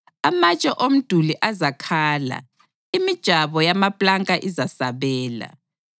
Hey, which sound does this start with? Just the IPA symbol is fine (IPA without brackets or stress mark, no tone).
a